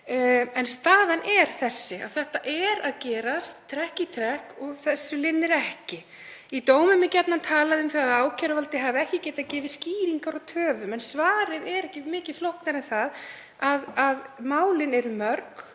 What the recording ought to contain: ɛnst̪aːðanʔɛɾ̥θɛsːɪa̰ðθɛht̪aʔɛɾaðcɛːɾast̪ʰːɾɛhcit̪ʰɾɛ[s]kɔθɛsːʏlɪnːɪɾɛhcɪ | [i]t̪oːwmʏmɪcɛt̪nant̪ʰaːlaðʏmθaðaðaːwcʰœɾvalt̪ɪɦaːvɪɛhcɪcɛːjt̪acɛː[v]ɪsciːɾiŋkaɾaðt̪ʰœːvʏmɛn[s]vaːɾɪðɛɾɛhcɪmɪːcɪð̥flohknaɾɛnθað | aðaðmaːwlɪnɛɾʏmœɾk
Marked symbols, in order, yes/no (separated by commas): no, yes, yes, yes